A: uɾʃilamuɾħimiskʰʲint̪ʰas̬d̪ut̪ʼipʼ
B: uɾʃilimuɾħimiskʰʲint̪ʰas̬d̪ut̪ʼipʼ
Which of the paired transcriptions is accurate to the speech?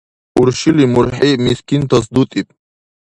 B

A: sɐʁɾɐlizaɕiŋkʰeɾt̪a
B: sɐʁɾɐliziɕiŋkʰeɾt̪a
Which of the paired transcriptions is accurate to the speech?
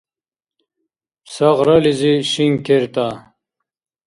B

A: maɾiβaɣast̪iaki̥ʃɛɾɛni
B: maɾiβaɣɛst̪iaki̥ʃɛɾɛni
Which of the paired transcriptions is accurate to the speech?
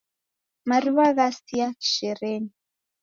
A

